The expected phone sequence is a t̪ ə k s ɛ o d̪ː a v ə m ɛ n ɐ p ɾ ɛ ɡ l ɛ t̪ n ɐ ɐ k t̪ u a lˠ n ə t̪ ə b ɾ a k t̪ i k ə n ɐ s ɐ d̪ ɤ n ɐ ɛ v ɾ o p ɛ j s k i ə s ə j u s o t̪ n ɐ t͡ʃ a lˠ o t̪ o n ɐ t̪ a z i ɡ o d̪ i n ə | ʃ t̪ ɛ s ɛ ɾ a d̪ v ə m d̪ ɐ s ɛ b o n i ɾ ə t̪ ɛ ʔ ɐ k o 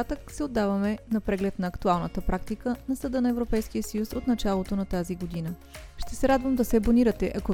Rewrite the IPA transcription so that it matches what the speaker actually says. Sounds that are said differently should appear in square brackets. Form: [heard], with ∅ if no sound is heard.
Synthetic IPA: a t̪ ə k s ɛ o d̪ː a v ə m ɛ n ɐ p ɾ ɛ ɡ l ɛ t̪ n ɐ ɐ k t̪ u a lˠ n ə t̪ ə [p] ɾ a k t̪ i k ə n ɐ s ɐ d̪ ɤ n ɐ ɛ v ɾ o p ɛ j s k i ə s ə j u s o t̪ n ɐ t͡ʃ a lˠ o t̪ o n ɐ t̪ a z i ɡ o d̪ i n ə | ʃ t̪ ɛ s ɛ ɾ a d̪ v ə m d̪ ɐ s ɛ b o n i ɾ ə t̪ ɛ ʔ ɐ k o